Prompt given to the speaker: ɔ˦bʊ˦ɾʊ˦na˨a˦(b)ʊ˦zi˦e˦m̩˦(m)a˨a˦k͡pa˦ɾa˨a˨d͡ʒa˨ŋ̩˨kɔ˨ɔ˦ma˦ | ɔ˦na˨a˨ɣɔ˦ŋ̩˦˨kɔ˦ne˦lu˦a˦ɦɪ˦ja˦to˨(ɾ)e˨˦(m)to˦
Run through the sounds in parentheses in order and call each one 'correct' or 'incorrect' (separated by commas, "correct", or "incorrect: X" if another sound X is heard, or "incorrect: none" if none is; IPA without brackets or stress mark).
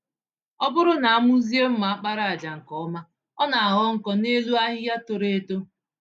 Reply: incorrect: m, correct, correct, incorrect: none